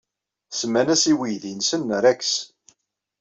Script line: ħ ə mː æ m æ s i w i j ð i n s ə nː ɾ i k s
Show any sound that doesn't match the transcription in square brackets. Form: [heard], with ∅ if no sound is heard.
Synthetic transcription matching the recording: [s] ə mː æ [n] æ s i w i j ð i n s ə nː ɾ [æ] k s